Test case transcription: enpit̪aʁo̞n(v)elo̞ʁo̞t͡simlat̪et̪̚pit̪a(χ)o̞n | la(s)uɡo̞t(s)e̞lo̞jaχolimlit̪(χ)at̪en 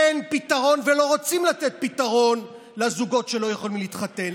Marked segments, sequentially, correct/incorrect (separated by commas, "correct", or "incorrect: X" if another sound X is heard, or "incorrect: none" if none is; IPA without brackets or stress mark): correct, incorrect: ʁ, incorrect: z, incorrect: ʃ, correct